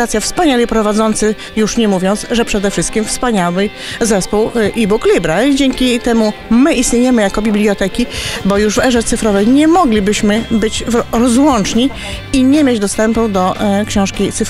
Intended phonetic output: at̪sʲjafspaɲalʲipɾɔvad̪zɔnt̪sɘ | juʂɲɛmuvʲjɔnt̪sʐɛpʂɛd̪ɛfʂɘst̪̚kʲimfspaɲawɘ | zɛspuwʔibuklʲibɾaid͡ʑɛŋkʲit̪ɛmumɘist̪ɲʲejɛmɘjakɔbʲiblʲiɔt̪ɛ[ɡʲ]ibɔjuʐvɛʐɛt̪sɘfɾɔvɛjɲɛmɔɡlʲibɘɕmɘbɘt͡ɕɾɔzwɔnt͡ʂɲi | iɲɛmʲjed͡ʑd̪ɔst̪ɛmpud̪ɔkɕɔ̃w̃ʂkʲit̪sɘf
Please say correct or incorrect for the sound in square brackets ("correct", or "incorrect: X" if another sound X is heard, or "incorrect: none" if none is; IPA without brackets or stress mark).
incorrect: kʲ